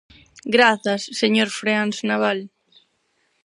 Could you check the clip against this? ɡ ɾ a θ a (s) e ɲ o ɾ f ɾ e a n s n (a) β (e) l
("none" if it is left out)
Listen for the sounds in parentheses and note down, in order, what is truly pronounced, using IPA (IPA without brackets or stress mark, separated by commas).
sː, a, a